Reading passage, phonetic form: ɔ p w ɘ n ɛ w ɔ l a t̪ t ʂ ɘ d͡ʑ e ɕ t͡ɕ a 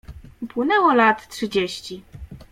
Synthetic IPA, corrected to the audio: u p w ɘ n ɛ w ɔ l a t̪ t ʂ ɘ d͡ʑ e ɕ t͡ɕ i